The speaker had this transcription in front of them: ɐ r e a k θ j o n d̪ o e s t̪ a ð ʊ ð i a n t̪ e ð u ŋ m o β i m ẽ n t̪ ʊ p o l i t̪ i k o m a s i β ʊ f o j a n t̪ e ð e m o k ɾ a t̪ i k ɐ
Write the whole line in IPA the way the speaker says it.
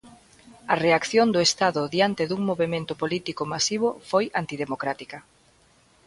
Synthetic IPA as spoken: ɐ r e a k θ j o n d̪ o e s t̪ a ð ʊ ð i a n t̪ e ð u ŋ m o β e m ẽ n t̪ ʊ p o l i t̪ i k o m a s i β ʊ f o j a n t̪ i ð e m o k ɾ a t̪ i k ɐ